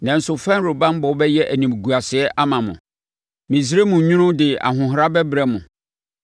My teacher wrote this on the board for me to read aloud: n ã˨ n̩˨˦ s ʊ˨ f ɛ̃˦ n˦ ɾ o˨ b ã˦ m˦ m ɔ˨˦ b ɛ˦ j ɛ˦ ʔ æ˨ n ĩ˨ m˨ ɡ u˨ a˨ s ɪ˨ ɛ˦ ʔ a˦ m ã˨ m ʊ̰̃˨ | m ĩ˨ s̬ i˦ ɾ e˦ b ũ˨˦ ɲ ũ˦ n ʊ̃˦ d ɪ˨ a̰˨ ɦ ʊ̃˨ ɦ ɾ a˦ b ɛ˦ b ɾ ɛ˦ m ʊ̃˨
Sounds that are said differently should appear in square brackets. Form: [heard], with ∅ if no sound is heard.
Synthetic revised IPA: n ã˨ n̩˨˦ s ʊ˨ f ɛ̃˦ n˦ ɾ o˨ b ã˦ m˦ [b] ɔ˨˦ b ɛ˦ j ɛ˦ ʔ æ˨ n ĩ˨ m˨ ɡ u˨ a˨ s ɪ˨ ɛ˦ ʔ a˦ m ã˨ m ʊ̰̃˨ | m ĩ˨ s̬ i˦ ɾ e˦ [m] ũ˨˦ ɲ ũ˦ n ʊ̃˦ d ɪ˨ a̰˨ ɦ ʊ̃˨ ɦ ɾ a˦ b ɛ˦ b ɾ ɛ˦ m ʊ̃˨